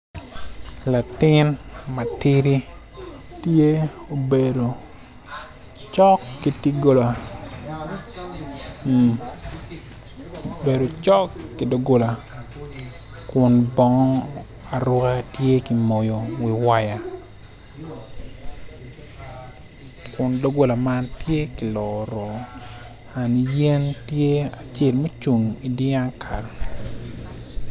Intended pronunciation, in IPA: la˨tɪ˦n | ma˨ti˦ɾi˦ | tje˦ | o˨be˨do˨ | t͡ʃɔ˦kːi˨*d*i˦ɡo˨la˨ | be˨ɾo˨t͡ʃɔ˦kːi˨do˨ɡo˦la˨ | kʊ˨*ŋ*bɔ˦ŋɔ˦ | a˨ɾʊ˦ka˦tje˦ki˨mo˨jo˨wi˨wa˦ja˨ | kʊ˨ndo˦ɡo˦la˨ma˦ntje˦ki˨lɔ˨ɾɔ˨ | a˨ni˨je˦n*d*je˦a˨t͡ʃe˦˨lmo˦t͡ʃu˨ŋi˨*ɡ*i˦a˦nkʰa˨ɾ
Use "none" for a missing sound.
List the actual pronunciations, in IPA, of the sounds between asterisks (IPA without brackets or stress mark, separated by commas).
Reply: t, n, t, d